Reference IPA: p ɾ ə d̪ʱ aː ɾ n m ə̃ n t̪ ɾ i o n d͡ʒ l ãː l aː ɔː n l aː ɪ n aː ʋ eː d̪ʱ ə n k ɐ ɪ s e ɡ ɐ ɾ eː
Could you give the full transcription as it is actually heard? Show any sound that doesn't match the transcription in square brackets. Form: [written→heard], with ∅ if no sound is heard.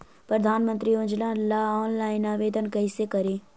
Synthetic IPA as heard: p ɾ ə d̪ʱ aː [ɾ→∅] n m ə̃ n t̪ ɾ i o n d͡ʒ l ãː l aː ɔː n l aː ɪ n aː ʋ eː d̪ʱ ə n k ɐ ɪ s e [ɡ→k] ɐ ɾ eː